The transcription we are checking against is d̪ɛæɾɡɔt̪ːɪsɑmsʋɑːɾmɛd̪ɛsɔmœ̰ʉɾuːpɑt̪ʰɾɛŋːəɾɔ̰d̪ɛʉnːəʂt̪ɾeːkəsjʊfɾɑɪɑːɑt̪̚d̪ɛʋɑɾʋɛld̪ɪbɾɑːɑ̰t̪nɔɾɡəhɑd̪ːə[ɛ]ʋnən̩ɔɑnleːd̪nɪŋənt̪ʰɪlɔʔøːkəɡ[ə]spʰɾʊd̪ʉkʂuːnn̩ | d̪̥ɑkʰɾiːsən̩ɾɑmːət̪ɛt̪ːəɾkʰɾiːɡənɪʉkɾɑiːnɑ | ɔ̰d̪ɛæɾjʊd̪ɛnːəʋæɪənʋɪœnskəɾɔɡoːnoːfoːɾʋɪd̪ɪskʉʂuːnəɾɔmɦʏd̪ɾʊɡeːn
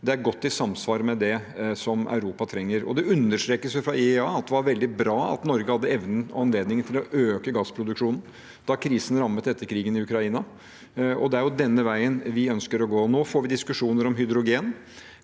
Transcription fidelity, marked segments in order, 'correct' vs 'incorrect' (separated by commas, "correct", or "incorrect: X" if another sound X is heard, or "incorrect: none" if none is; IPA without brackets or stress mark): correct, incorrect: ɑ